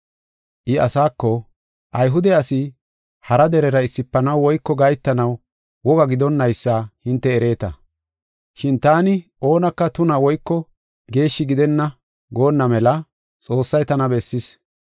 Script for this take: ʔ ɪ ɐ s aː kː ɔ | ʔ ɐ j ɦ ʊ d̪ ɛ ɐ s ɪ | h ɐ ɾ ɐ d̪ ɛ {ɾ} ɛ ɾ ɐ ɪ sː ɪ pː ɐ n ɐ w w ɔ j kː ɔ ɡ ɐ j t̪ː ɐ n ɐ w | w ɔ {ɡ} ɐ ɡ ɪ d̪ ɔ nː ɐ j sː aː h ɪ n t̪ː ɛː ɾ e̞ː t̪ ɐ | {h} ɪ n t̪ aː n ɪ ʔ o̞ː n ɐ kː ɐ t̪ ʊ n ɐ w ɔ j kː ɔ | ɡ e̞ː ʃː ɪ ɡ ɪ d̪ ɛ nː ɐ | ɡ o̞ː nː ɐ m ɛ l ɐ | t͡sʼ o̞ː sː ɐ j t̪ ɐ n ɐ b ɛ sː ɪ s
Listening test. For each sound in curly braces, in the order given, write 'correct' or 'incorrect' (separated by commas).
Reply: correct, correct, incorrect